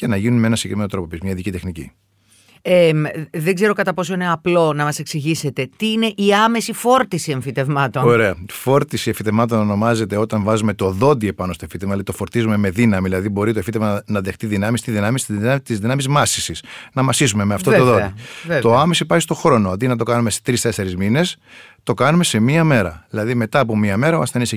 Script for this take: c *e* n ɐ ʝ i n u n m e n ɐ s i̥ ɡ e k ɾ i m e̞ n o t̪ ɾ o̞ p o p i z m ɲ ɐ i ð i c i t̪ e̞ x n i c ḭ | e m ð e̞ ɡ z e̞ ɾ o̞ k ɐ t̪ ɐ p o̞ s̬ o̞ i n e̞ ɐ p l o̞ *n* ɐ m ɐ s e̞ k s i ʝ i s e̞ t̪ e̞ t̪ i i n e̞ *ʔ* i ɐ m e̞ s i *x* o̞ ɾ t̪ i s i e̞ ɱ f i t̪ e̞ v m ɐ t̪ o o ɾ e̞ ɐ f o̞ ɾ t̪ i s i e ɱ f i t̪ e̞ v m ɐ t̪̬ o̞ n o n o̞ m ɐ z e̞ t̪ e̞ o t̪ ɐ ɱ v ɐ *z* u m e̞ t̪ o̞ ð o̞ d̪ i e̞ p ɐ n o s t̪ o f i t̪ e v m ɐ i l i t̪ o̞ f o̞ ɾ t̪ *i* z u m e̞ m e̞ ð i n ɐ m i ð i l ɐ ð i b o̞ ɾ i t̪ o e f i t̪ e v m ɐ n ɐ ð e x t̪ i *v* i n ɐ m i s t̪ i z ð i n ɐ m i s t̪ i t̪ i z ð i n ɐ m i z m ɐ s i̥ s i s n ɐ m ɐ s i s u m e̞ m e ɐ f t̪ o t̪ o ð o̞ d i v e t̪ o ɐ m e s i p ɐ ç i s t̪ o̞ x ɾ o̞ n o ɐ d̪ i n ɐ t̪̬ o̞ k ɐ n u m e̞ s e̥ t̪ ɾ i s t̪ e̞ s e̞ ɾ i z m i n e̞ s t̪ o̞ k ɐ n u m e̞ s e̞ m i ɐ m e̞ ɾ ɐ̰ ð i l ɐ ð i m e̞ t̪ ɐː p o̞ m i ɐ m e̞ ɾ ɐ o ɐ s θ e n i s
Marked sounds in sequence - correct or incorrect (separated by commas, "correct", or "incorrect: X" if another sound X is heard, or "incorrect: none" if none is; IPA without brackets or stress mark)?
correct, correct, correct, incorrect: f, correct, correct, incorrect: ð